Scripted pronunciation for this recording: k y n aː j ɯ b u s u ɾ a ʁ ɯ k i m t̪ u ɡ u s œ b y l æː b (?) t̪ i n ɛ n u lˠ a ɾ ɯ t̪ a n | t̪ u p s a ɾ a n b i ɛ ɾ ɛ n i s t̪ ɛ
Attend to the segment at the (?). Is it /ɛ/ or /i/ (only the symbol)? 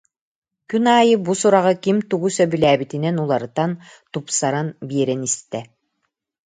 i